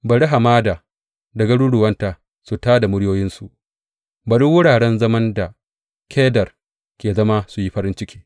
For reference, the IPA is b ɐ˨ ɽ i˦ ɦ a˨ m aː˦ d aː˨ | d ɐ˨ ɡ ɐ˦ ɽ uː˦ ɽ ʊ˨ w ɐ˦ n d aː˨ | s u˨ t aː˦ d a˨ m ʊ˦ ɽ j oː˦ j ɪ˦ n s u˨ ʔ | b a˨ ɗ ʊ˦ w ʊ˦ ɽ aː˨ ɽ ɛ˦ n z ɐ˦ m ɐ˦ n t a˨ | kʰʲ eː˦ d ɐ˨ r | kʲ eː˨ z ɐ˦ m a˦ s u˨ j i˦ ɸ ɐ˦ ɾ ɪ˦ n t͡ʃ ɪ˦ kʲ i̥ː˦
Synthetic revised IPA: b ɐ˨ ɽ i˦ ɦ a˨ m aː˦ d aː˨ | d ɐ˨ ɡ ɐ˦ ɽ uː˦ ɽ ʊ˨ w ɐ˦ n t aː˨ | s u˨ t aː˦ d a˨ m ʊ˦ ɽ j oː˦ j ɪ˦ n s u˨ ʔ | b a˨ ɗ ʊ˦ w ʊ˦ ɽ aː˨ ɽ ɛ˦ n z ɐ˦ m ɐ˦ n d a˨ | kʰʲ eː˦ d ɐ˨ r | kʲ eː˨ z ɐ˦ m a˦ s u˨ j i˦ ɸ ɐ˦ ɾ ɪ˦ n t͡ʃ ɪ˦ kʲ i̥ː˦